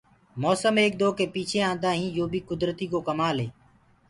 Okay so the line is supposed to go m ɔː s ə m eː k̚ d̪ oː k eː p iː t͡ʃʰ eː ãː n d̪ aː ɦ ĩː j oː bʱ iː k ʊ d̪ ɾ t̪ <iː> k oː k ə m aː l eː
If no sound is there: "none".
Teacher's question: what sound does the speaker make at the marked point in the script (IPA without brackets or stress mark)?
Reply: iː